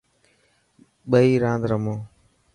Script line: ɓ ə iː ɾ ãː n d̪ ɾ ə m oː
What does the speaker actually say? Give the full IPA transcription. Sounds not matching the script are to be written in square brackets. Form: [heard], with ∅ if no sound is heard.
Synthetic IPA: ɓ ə iː ɾ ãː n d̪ ɾ ə m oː